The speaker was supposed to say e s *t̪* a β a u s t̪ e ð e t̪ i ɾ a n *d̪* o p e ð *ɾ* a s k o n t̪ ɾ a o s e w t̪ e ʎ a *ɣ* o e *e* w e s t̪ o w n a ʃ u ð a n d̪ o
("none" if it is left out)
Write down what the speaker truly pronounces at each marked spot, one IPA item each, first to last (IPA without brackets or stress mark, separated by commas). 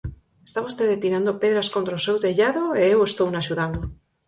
t̪, d̪, ɾ, ð, e